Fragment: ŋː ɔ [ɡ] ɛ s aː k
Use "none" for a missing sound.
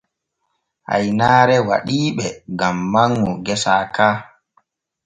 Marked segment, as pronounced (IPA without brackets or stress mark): ɡ